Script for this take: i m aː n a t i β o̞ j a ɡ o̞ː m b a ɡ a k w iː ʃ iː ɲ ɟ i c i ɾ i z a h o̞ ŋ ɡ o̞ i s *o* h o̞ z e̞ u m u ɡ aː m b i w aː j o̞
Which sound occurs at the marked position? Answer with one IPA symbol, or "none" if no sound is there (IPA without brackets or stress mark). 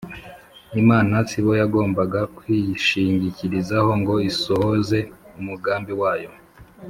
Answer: o